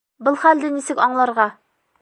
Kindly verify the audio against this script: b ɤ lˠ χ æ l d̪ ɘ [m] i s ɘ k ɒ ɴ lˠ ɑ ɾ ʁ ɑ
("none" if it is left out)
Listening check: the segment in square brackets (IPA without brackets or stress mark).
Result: n